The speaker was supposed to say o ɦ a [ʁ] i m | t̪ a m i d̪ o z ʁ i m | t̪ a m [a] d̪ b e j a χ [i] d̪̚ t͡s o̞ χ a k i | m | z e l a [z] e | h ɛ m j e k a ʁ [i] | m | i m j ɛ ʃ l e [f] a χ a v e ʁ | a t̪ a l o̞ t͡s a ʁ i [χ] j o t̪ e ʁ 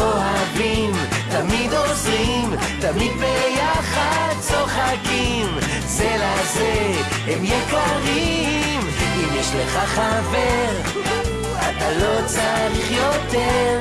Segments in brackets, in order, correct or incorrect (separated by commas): incorrect, incorrect, incorrect, correct, correct, incorrect, correct